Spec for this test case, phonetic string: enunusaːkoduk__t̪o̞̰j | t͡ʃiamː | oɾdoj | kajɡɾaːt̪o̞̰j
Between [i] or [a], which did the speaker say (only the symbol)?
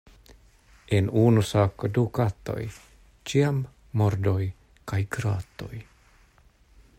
a